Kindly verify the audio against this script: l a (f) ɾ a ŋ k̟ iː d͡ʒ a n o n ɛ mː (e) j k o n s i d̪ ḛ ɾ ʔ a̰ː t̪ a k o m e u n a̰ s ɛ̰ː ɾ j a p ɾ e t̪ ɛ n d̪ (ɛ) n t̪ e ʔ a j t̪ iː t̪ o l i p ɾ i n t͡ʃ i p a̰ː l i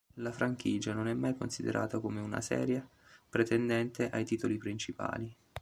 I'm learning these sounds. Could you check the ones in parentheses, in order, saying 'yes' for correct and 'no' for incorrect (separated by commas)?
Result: yes, no, yes